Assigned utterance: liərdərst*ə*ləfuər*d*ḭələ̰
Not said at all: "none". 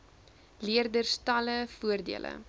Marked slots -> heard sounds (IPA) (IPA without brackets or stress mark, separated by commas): ɐ, d